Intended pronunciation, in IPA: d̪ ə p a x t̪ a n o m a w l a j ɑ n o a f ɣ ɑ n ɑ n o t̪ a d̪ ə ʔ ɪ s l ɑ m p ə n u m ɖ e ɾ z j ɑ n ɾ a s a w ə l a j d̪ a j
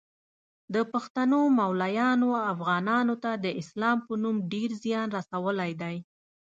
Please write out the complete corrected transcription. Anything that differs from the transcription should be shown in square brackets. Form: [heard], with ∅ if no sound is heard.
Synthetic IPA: d̪ ə p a x t̪ a n o m a w l a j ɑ n o a f ɣ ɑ n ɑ n o t̪ a d̪ ə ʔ ɪ s l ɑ m p ə n u m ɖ e ɾ z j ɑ n ɾ a s a w ə l a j d̪ a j